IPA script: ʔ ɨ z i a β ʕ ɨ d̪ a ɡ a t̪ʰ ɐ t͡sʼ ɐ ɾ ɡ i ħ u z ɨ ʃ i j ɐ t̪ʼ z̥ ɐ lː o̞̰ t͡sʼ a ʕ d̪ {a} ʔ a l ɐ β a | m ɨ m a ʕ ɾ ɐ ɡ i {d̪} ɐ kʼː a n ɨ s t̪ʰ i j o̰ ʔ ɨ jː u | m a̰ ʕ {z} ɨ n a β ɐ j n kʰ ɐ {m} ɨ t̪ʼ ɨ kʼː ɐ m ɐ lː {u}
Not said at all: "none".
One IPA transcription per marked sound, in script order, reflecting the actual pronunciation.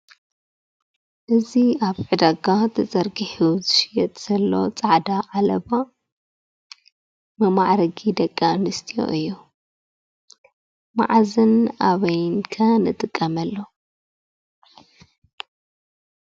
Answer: a, d̪, z, n, o

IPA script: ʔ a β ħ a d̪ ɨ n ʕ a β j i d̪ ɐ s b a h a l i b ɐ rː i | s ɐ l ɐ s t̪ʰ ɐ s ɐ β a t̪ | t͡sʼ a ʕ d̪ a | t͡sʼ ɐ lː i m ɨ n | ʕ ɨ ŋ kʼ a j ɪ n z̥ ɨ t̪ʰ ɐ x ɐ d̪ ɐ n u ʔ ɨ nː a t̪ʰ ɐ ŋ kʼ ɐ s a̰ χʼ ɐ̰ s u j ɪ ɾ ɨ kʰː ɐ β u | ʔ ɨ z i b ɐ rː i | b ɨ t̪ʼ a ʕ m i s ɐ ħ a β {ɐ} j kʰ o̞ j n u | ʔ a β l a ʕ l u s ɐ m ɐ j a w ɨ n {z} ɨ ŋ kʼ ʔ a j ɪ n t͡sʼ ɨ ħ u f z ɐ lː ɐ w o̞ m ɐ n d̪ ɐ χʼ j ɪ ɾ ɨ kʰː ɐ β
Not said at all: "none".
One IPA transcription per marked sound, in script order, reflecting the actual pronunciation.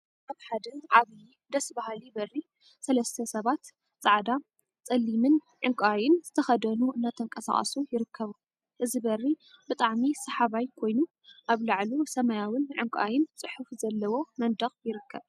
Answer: a, ʕ

